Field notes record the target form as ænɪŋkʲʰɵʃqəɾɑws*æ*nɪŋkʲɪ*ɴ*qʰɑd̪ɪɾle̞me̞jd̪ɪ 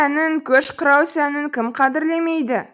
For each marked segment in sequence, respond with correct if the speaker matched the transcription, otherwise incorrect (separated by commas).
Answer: correct, incorrect